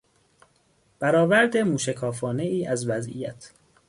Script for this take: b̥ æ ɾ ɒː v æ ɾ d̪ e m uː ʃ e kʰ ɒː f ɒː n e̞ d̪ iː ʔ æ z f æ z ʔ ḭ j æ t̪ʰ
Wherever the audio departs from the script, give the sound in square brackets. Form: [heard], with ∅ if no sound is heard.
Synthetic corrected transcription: b̥ æ ɾ ɒː v æ ɾ d̪ e m uː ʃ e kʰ ɒː f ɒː n e̞ [∅] iː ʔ æ z [v] æ z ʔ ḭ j æ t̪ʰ